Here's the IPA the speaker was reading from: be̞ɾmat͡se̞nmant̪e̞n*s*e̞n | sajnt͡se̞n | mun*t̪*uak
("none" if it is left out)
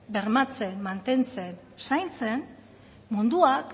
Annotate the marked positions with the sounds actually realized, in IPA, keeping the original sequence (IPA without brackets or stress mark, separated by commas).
t͡s, d̪